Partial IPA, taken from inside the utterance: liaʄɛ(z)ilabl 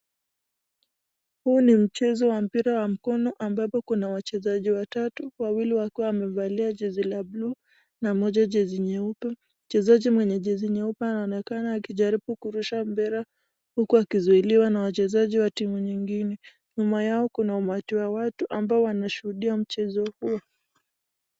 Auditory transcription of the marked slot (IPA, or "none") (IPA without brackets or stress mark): z